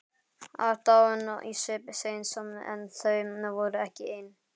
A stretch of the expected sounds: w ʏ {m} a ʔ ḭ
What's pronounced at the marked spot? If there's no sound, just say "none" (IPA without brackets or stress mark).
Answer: n